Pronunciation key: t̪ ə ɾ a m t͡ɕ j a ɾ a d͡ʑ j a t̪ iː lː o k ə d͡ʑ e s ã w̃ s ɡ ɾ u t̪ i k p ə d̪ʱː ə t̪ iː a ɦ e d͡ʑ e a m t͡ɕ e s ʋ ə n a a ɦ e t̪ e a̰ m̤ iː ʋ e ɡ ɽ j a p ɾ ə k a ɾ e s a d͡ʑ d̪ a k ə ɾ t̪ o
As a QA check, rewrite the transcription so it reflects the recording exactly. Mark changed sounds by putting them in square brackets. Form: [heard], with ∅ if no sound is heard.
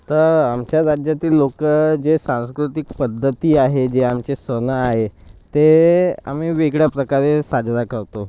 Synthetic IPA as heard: t̪ ə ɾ a m t͡ɕ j a ɾ a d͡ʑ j a t̪ iː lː o k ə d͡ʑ e s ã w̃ s [k] ɾ u t̪ i k p ə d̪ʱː ə t̪ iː a ɦ e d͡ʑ e a m t͡ɕ e s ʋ ə n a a ɦ e t̪ e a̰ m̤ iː ʋ e ɡ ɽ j a p ɾ ə k a ɾ e s a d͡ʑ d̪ a k ə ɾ t̪ o